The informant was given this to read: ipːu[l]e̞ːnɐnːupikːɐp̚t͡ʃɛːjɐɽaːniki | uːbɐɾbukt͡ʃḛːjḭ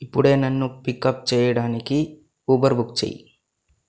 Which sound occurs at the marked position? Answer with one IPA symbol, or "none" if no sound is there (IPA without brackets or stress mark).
ɽ